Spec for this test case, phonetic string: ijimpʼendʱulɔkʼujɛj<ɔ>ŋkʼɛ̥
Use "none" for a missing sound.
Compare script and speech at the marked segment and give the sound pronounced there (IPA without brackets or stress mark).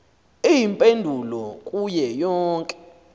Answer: ɔː